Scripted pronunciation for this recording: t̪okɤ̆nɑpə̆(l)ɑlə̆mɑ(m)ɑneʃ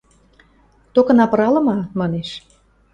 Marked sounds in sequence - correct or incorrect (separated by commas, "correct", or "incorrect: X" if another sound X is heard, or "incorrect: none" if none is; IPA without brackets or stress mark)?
incorrect: ɾ, correct